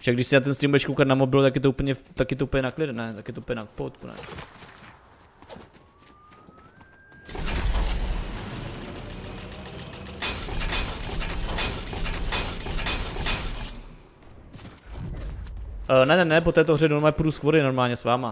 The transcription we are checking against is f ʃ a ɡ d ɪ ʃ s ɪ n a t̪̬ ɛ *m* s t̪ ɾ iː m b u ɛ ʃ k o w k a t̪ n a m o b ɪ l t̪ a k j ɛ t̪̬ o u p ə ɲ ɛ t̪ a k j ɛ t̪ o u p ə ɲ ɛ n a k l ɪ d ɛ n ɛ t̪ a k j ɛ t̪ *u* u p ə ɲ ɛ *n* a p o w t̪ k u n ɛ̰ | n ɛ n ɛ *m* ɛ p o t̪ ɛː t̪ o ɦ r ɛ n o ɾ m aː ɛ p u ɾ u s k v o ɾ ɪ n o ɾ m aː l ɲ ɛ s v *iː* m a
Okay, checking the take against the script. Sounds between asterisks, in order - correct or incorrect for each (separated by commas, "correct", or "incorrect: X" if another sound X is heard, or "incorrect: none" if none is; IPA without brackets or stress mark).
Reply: incorrect: n, incorrect: o, correct, incorrect: n, incorrect: aː